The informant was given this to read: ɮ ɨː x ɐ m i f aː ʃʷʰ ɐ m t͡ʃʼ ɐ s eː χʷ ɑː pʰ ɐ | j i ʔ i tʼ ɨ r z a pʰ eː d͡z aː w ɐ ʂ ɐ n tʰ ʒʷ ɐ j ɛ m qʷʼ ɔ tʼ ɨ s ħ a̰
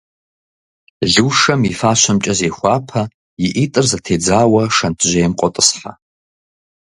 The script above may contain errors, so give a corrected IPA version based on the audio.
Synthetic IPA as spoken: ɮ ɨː ʂ ɐ m i f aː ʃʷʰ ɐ m t͡ʃʼ ɐ z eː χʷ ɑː pʰ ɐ | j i ʔ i tʼ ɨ r z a tʰ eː d͡z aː w ɐ ʂ ɐ n tʰ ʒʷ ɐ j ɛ m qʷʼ ɔ tʼ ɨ s ħ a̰